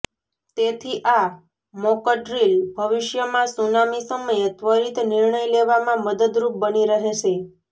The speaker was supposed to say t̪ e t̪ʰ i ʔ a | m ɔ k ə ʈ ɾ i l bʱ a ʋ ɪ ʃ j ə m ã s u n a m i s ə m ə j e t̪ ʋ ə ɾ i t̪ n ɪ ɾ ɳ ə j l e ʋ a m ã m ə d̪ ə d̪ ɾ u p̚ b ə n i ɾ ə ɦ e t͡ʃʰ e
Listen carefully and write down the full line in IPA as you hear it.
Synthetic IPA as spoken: t̪ e t̪ʰ i ʔ a | m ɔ k ə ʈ ɾ i l bʱ ə ʋ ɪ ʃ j ə m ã s u n a m i s ə m ə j e t̪ ʋ ə ɾ i t̪ n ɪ ɾ ɳ ə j l e ʋ a m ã m ə d̪ ə d̪ ɾ u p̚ b ə n i ɾ ə ɦ e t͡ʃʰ e